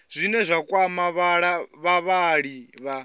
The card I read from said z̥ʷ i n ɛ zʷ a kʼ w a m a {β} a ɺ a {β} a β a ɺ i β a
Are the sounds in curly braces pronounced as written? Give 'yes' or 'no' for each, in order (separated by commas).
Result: yes, yes